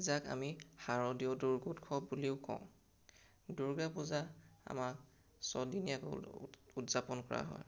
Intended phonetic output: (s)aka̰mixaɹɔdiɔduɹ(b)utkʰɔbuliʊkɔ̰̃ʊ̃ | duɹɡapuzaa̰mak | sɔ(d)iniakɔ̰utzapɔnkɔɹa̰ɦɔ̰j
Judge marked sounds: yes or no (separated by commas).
no, no, yes